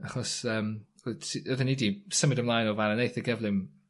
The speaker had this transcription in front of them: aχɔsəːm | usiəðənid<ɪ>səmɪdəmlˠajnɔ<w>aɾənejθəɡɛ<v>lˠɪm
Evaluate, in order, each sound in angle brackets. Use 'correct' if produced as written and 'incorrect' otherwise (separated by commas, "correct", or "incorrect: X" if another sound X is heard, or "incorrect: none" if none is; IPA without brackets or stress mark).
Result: incorrect: i, incorrect: v, correct